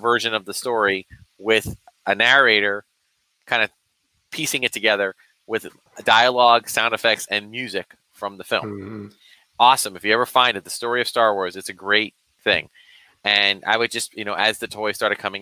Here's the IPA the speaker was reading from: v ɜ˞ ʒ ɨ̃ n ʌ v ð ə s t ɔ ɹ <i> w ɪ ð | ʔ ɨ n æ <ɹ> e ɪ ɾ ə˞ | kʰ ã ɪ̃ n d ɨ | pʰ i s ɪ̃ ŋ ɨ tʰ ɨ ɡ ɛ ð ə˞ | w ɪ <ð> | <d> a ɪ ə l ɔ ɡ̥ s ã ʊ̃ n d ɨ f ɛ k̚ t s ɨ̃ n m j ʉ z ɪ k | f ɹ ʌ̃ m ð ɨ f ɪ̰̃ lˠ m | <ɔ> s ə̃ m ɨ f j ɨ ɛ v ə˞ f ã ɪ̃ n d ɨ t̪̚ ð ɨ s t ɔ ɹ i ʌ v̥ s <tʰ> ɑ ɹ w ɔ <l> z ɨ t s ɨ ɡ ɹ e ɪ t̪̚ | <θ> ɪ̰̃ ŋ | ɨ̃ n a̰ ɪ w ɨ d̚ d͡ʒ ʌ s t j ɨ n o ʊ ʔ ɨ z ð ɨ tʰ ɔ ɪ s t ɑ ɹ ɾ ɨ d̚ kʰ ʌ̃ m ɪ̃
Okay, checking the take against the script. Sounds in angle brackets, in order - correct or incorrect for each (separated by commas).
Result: correct, correct, correct, correct, correct, incorrect, incorrect, correct